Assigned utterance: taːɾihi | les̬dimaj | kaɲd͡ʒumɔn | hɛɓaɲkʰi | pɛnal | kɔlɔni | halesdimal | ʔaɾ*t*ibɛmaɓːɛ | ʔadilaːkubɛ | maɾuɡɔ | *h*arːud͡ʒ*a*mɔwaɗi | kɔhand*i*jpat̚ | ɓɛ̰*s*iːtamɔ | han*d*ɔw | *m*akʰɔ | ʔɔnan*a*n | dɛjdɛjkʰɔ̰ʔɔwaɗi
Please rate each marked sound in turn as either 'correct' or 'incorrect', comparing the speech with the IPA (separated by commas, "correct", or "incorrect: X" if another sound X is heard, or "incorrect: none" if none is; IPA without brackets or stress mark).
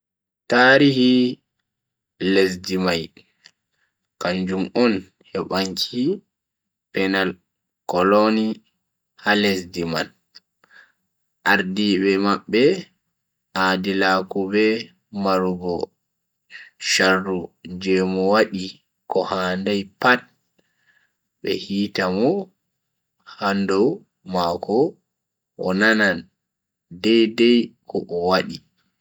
incorrect: d, incorrect: ʃ, incorrect: ɛ, incorrect: a, incorrect: h, correct, correct, correct